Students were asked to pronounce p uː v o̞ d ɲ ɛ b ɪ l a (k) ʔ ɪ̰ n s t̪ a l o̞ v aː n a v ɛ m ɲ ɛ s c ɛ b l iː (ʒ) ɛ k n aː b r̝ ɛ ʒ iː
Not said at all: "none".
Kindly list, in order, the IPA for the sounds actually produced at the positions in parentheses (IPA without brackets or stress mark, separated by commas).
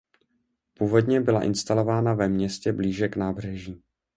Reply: none, ʒ